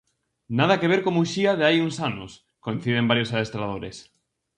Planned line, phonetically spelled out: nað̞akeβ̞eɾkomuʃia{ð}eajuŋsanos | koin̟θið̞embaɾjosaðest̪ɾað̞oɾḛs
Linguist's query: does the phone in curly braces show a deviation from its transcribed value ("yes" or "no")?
no